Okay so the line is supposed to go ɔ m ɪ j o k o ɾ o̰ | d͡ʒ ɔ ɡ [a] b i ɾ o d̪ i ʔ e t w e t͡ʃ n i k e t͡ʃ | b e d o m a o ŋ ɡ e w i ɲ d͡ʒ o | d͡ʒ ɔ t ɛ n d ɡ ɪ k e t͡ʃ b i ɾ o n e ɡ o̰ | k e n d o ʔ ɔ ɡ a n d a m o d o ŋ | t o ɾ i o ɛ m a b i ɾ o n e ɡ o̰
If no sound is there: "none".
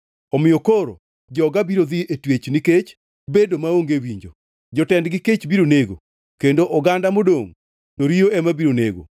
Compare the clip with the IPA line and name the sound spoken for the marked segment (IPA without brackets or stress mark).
a